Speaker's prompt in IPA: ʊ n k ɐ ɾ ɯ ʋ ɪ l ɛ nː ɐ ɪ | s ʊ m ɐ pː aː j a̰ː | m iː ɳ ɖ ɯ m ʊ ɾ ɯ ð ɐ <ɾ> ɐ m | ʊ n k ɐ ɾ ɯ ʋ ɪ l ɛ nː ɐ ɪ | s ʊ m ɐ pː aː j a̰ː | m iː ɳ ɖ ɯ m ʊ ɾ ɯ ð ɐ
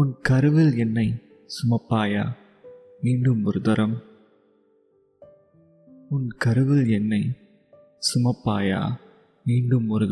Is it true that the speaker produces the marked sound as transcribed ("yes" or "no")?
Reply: yes